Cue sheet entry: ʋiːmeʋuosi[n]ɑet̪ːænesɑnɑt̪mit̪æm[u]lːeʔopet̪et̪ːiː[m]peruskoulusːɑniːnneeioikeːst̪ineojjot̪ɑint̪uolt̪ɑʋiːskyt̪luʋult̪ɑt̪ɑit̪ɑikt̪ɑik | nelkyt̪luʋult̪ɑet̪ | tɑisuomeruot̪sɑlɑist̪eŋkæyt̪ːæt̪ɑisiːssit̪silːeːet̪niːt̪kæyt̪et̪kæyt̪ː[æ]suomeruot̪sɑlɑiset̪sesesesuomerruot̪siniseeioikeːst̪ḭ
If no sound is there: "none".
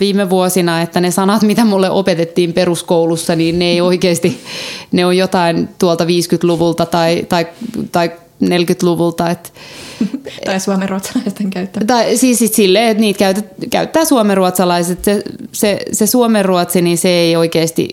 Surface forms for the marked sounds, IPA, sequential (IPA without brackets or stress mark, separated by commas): n, u, m, æː